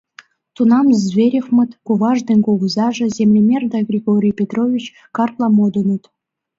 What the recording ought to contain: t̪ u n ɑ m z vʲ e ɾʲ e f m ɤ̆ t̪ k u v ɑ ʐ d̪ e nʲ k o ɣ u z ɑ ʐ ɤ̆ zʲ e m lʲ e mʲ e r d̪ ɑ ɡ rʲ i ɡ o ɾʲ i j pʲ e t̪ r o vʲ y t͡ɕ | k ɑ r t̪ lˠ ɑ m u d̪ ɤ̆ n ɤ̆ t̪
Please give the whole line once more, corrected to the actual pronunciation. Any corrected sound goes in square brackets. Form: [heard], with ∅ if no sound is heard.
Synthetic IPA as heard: t̪ u n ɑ m z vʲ e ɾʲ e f m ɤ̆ t̪ k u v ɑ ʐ d̪ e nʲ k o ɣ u z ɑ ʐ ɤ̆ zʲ e m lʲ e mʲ e r d̪ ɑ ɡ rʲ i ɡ o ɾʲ i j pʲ e t̪ r o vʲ [i] t͡ɕ | k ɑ r t̪ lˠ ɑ m [o] d̪ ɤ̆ n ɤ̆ t̪